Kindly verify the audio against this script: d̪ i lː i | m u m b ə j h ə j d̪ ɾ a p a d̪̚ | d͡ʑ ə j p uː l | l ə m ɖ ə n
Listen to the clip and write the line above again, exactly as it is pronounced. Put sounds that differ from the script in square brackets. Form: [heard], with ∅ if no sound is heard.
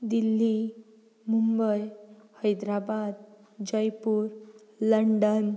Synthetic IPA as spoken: d̪ i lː i | m u m b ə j h ə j d̪ ɾ a [b] a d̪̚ | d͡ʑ ə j p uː [ɾ] | l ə [ɳ] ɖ ə n